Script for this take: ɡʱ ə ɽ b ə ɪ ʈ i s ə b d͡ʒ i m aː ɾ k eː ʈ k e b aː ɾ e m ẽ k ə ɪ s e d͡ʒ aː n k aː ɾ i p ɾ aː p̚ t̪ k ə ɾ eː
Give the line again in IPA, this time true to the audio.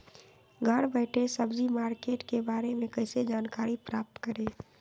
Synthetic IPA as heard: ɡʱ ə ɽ b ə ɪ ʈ e s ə b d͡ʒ i m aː ɾ k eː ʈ k e b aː ɾ e m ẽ k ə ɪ s e d͡ʒ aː n k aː ɾ i p ɾ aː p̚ t̪ k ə ɾ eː